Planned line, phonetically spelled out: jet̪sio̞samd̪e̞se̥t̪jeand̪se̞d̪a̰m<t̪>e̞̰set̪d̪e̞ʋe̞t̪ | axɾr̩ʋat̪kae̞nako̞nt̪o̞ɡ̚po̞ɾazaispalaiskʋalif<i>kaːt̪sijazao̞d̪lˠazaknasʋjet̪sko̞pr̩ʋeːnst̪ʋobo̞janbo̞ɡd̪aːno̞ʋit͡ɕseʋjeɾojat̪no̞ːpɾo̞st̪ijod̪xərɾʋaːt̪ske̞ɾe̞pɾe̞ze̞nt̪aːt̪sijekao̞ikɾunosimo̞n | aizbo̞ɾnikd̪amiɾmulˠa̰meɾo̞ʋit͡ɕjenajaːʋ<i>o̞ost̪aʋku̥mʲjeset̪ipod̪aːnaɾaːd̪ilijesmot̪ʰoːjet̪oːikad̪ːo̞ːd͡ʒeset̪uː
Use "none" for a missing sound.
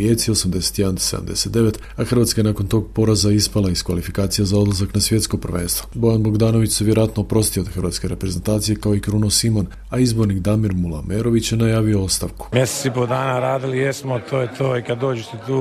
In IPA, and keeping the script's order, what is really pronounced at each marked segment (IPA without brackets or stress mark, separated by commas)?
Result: d̪, i, i